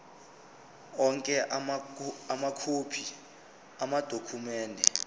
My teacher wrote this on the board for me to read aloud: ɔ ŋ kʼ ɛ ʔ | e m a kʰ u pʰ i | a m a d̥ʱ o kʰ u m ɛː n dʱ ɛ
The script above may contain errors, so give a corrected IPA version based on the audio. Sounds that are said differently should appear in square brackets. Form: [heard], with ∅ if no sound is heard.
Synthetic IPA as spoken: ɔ ŋ kʼ ɛ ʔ | [a] m a kʰ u pʰ i | a m a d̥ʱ o kʰ u m ɛː n dʱ ɛ